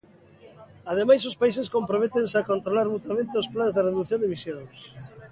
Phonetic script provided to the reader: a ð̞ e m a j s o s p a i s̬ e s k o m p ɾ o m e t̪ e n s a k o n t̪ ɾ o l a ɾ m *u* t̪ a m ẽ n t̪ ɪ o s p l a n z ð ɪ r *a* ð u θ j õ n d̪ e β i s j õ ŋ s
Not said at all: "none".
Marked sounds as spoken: u, e

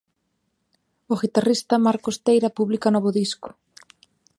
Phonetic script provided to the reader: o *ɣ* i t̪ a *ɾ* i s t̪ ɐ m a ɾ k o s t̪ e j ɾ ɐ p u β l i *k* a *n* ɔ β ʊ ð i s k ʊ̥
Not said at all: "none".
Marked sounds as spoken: ɣ, r, k, n

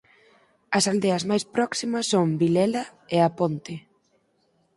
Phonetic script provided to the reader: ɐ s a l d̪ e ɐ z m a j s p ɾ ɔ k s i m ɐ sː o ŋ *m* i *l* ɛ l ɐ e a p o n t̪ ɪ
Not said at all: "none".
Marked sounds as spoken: b, l

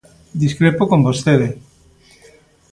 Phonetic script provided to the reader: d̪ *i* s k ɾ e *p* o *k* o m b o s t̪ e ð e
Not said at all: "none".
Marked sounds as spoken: i, p, k

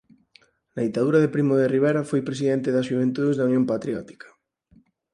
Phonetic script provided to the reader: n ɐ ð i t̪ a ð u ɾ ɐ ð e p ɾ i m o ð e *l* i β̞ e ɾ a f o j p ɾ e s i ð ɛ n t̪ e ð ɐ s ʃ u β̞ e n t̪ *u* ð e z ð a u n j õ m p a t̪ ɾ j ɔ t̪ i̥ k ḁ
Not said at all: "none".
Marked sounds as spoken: r, u

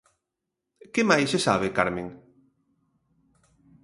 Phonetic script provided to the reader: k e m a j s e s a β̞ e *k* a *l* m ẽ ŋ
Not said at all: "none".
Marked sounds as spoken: k, ɾ

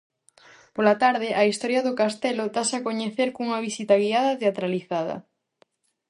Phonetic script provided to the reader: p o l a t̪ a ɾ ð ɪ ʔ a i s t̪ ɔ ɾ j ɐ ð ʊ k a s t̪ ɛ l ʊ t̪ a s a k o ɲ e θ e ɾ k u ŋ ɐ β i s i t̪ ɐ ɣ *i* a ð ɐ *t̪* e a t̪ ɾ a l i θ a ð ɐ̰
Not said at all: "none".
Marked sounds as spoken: i, t̪

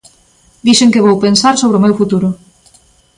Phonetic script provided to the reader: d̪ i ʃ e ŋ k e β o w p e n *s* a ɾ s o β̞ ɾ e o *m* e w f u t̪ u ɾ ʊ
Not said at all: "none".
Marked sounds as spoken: s, m

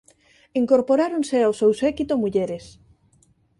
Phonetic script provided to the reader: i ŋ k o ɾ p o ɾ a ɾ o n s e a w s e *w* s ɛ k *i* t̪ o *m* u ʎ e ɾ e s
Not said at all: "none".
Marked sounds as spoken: w, i, m

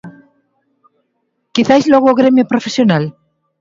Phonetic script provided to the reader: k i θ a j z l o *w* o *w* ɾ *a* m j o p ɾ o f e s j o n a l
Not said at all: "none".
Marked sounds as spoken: ɣ, ɣ, e

